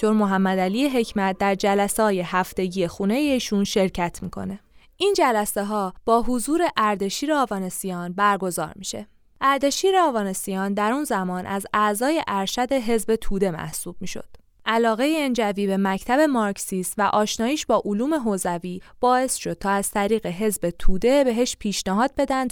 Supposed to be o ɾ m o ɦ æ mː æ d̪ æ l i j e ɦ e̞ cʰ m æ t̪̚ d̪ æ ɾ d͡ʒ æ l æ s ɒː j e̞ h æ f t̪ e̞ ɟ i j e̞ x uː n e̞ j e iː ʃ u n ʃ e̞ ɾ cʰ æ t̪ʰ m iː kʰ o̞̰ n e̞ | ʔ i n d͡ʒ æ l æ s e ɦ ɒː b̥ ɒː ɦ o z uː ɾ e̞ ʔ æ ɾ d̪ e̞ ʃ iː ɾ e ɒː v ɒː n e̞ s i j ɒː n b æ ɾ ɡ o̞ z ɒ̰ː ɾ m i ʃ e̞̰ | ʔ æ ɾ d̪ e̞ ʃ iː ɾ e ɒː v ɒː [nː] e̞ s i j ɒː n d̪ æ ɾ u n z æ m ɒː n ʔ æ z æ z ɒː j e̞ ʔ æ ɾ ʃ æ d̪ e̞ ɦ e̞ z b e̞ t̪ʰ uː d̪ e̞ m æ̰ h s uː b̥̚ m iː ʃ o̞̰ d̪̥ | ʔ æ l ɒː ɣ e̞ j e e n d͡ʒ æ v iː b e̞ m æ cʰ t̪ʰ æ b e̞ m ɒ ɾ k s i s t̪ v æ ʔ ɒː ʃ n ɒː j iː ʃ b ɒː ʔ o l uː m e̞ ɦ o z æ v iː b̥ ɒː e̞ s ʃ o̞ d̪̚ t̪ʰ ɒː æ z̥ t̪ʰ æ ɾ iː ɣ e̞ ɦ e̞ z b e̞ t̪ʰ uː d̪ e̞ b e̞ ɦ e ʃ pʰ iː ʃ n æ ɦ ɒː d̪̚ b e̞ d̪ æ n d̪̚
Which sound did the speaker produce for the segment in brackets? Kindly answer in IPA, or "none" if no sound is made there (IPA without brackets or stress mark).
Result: n